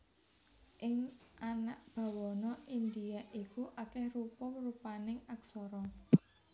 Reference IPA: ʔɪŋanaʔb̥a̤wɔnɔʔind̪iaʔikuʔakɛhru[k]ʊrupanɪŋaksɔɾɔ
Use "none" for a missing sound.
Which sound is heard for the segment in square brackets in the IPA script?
p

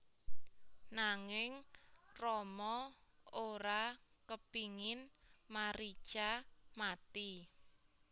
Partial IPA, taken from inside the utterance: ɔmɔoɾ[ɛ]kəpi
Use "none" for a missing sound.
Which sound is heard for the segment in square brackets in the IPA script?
a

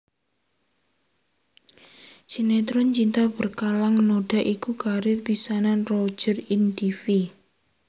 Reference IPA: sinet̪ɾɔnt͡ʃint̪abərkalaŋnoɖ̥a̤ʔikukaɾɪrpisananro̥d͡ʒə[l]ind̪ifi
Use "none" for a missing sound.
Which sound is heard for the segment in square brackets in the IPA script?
r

